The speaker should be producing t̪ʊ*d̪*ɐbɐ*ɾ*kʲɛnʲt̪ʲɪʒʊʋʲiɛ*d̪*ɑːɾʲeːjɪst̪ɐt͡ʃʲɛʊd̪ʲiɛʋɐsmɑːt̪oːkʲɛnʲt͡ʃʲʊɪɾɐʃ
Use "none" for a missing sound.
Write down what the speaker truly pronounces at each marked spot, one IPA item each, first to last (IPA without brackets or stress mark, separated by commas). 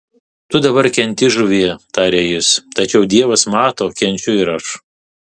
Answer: d̪, ɾ, t̪